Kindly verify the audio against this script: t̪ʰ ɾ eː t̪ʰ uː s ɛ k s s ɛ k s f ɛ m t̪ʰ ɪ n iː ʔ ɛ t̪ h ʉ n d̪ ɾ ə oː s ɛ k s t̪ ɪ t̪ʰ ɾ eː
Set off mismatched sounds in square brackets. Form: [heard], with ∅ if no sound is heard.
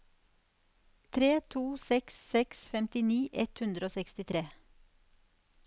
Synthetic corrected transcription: t̪ʰ ɾ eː t̪ʰ uː s ɛ k s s ɛ k s f ɛ m [t̪] ɪ n iː ʔ ɛ t̪ h ʉ n d̪ ɾ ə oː s ɛ k s t̪ ɪ t̪ʰ ɾ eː